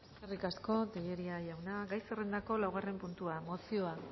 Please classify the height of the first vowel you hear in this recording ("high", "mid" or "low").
mid